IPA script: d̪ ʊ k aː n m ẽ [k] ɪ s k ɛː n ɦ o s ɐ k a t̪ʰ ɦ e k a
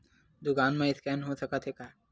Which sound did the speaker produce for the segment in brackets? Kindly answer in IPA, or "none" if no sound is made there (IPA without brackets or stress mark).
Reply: none